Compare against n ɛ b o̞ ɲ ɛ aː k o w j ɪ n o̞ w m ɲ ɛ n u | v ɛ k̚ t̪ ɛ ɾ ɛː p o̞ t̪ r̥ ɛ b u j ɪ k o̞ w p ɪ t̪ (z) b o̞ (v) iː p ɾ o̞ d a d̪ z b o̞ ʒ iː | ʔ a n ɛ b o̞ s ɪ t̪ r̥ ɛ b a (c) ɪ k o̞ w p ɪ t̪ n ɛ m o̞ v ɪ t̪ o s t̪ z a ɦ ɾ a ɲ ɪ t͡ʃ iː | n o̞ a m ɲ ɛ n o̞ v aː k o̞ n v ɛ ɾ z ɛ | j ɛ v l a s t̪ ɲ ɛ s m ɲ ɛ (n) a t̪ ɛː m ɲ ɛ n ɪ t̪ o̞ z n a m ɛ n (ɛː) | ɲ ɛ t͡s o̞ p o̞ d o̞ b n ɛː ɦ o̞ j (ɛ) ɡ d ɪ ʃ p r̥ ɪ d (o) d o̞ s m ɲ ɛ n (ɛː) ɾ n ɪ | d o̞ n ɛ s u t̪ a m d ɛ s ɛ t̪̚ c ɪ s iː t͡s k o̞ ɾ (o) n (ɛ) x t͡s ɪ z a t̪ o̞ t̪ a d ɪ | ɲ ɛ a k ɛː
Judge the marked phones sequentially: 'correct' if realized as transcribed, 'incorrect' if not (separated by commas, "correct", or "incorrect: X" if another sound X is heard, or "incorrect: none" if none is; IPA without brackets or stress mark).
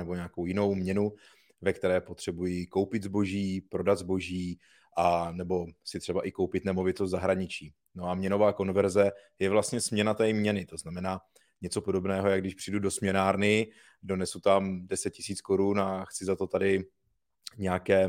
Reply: correct, incorrect: ʒ, incorrect: ʔ, correct, incorrect: aː, incorrect: a, incorrect: u, incorrect: aː, incorrect: u, incorrect: a